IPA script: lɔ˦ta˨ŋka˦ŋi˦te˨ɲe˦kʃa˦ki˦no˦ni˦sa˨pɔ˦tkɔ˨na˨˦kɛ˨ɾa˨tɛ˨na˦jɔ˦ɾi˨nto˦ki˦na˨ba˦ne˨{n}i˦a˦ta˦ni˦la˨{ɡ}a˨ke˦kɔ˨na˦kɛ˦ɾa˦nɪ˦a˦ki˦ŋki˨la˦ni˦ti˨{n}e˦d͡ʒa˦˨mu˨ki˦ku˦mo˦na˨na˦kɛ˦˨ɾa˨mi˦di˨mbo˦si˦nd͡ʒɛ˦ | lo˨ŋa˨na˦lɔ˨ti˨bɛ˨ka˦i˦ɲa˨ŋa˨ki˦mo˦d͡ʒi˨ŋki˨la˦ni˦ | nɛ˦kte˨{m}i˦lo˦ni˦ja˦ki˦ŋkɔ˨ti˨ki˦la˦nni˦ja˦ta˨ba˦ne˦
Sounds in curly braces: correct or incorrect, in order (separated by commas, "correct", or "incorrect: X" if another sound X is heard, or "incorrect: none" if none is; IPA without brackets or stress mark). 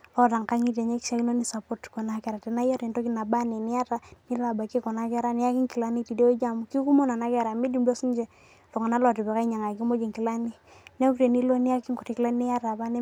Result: correct, incorrect: b, incorrect: d, incorrect: n